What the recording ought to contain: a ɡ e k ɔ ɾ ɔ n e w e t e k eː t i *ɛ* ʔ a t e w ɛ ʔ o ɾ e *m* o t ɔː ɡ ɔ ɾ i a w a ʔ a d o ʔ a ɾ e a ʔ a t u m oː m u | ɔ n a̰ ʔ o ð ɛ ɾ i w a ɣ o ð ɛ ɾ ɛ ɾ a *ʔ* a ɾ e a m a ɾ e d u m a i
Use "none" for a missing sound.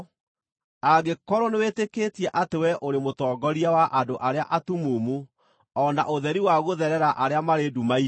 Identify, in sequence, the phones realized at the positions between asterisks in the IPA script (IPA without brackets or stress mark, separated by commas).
ɛ, m, ʔ